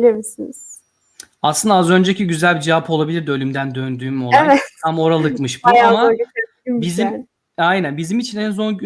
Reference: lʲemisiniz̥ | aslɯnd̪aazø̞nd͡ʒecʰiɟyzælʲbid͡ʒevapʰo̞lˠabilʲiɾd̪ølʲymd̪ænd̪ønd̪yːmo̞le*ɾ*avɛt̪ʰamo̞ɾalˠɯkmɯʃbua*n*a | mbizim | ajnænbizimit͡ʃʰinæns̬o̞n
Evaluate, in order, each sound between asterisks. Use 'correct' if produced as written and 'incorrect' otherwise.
incorrect, incorrect

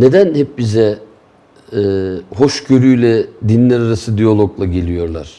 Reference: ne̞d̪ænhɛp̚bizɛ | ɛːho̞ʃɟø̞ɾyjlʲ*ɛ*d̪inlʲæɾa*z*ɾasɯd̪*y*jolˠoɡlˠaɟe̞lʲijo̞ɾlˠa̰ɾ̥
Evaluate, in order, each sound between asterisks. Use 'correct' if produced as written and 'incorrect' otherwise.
correct, incorrect, incorrect

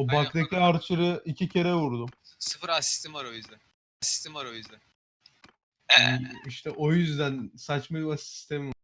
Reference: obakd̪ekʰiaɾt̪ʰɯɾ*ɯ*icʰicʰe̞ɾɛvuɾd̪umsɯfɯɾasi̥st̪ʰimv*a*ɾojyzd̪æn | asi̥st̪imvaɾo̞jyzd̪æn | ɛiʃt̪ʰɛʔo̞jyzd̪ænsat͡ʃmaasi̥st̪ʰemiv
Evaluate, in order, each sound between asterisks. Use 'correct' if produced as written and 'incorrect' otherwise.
correct, correct

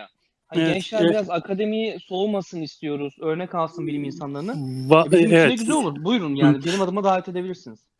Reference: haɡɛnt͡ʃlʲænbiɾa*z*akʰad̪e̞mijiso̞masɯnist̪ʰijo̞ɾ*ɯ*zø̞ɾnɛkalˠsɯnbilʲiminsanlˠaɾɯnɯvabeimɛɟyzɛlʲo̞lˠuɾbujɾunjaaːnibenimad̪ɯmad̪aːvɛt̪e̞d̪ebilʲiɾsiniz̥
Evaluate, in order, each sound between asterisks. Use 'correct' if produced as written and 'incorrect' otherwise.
correct, incorrect

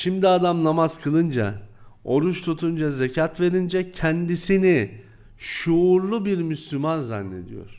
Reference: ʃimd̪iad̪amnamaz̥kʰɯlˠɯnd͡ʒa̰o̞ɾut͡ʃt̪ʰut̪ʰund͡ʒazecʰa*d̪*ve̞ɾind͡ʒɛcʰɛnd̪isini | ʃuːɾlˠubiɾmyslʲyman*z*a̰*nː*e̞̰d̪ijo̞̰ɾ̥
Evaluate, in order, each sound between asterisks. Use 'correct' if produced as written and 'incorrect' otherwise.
incorrect, correct, correct

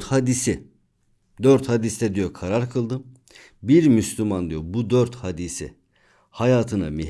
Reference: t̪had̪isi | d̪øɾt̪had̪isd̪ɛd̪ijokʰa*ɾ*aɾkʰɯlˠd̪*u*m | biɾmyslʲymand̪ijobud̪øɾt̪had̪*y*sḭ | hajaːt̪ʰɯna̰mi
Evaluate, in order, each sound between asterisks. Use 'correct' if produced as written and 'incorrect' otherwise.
correct, incorrect, incorrect

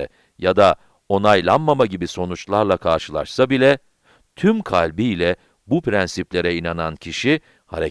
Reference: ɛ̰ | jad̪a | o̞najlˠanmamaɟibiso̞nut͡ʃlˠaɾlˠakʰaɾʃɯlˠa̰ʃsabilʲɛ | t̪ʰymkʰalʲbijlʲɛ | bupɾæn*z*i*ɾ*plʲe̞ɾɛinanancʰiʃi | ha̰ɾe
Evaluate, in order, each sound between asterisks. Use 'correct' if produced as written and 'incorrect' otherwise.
incorrect, incorrect

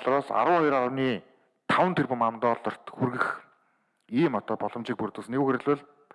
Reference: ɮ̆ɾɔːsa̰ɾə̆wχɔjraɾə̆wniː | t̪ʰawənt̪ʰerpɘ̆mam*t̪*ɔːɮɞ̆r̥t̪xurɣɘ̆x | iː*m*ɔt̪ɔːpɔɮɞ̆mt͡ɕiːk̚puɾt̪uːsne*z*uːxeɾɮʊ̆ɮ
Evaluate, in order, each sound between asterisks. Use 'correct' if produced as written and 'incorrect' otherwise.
correct, correct, incorrect

